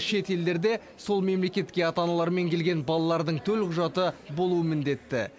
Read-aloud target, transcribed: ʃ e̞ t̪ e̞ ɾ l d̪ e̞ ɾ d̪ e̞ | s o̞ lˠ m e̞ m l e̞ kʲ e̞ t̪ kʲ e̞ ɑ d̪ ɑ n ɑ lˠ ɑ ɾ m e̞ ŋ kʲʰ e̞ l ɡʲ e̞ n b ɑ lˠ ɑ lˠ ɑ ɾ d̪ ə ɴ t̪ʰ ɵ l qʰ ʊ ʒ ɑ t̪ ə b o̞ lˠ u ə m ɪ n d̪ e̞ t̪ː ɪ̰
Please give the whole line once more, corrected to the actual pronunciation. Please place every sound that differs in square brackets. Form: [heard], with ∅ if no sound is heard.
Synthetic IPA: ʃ e̞ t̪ e̞ [∅] l d̪ e̞ ɾ d̪ e̞ | s o̞ lˠ m e̞ m l e̞ kʲ e̞ t̪ kʲ e̞ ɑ [t̪] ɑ n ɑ lˠ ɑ ɾ m e̞ ŋ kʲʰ e̞ l ɡʲ e̞ n b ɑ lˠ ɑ lˠ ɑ ɾ d̪ ə ɴ t̪ʰ ɵ l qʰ ʊ ʒ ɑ t̪ ə b o̞ lˠ u ə m ɪ n d̪ e̞ t̪ː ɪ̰

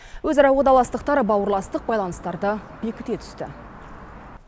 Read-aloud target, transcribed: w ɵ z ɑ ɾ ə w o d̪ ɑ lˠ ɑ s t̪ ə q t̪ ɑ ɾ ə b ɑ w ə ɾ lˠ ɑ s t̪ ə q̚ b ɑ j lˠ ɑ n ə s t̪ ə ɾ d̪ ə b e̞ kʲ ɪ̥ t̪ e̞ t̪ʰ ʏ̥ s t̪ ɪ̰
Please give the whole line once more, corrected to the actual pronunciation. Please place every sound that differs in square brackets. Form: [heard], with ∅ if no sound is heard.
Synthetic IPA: w ɵ z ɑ ɾ [ɑ] w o d̪ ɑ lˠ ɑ s t̪ ə q t̪ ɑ ɾ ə b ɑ w ə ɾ lˠ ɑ s t̪ ə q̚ b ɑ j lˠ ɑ n ə s t̪ [ɑ] ɾ d̪ ə b e̞ kʲ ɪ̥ t̪ e̞ t̪ʰ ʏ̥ s t̪ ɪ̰

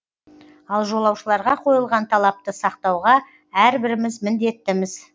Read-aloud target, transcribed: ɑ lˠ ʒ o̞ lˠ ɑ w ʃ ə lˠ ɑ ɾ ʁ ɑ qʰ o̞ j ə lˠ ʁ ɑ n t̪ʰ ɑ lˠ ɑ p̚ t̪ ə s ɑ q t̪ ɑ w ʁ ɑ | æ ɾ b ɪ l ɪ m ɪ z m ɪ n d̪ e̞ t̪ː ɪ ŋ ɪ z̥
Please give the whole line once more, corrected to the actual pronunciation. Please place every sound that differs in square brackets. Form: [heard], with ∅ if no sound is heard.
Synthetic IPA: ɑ lˠ ʒ o̞ lˠ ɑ w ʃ ə lˠ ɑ ɾ ʁ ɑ qʰ o̞ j ə lˠ ʁ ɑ n t̪ʰ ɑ lˠ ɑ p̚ t̪ ə s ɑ q t̪ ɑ w ʁ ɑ | æ ɾ b ɪ [ɾ] ɪ m ɪ z m ɪ n d̪ e̞ t̪ː ɪ [m] ɪ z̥

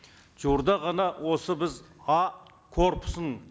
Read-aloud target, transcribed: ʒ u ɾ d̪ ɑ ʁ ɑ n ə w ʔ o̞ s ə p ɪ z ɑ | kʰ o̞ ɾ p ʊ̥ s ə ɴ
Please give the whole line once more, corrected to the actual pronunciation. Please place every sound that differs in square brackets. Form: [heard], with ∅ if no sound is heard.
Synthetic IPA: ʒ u ɾ d̪ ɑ ʁ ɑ n [ɑ] w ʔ o̞ s ə [b] ɪ z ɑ | kʰ o̞ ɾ p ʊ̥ s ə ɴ

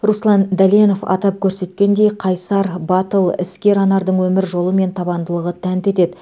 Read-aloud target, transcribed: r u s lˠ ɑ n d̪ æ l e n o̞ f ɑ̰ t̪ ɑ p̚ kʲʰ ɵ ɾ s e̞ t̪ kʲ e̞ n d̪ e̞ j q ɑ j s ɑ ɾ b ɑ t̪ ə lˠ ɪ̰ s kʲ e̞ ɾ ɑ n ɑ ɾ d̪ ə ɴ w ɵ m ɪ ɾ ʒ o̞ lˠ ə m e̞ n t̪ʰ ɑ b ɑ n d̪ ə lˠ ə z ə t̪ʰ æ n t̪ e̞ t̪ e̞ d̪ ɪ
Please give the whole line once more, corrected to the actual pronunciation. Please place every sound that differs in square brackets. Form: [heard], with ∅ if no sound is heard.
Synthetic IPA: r u s lˠ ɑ n d̪ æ l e n o̞ f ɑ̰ t̪ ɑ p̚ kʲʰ ɵ ɾ s e̞ t̪ kʲ e̞ n d̪ e̞ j [qʰ] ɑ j s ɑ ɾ b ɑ t̪ ə lˠ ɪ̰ s kʲ e̞ ɾ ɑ n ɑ ɾ d̪ ə ɴ w ɵ m ɪ ɾ ʒ o̞ lˠ ə m e̞ n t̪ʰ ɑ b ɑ n d̪ ə lˠ ə [ʁ] ə t̪ʰ æ n t̪ e̞ t̪ e̞ d̪ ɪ

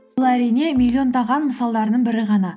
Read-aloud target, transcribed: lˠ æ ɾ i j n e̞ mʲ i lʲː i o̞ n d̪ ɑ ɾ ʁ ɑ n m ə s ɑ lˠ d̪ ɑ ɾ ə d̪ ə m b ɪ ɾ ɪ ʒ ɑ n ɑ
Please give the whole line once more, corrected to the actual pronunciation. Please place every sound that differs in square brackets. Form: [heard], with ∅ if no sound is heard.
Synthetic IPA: lˠ æ ɾ i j n e̞ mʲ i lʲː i o̞ n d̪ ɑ [∅] ʁ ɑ n m ə s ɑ lˠ d̪ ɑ ɾ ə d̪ ə [ɴ] b ɪ ɾ ɪ [ʁ] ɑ n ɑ

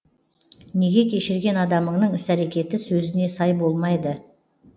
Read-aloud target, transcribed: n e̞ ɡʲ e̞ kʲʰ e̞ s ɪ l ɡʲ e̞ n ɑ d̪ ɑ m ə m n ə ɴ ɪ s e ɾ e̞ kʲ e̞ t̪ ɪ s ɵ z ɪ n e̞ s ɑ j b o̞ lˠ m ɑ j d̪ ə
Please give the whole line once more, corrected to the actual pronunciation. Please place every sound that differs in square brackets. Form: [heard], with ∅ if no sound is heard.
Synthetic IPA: n e̞ ɡʲ e̞ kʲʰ e̞ [ʃ] ɪ [ɾ] ɡʲ e̞ n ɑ d̪ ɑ m ə [ɴ] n ə ɴ ɪ s [æ] ɾ e̞ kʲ e̞ t̪ ɪ s ɵ z ɪ n e̞ s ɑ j b o̞ lˠ m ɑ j d̪ ə

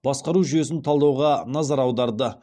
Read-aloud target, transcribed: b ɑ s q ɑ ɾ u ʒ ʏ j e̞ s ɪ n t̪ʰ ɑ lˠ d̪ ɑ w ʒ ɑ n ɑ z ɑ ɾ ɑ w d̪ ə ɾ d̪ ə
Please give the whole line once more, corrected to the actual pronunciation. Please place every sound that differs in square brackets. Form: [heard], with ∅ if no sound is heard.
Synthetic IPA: b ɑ s q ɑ ɾ u ʒ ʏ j e̞ s ɪ n t̪ʰ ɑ lˠ d̪ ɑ w [ʁ] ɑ n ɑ z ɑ ɾ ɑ w d̪ [ɑ] ɾ d̪ ə

